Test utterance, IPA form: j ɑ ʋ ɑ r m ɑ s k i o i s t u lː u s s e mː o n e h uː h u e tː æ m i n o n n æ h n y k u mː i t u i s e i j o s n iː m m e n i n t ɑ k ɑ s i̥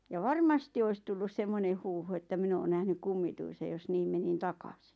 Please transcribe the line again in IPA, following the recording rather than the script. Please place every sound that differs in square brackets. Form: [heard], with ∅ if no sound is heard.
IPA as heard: j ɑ ʋ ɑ r m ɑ s [t] i o i s t u lː u s s e mː o n e h uː h u e tː æ m i n [oː] n n æ h n y k u mː i t u i s e [j] j o s n iː m m e n i n t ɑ k ɑ s i̥